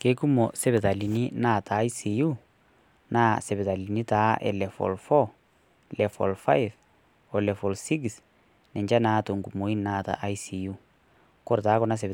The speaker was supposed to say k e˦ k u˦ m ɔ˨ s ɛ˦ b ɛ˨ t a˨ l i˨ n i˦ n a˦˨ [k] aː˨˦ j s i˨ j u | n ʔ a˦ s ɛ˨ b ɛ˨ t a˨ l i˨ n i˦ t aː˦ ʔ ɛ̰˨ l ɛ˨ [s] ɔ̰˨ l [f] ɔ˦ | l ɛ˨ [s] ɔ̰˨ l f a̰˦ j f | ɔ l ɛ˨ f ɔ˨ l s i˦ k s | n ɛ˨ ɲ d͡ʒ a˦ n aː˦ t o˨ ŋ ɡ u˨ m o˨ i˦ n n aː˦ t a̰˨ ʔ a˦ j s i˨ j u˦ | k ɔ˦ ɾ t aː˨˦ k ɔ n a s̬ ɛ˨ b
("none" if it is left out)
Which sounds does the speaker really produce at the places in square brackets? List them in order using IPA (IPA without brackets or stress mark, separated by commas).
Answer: t, f, f, f